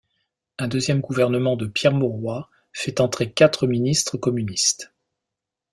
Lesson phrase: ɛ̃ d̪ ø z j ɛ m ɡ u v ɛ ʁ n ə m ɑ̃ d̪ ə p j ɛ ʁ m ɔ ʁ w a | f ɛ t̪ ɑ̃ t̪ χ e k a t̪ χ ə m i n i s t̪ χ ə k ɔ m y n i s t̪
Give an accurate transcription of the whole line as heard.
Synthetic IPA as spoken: ɛ̃ d̪ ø z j ɛ m ɡ u v ɛ ʁ n ə m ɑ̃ d̪ ə p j ɛ ʁ m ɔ ʁ w a | f ɛ t̪ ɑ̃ t̪ χ e k a t̪ χ ə m i n i s t̪ χ ə k ɔ m y n i s t̪